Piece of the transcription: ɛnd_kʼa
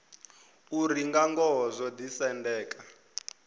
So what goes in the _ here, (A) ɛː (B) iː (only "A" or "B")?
A